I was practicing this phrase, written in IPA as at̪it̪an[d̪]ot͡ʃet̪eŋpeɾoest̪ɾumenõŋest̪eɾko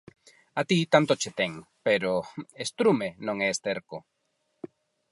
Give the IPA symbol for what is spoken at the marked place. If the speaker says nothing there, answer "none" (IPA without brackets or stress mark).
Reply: t̪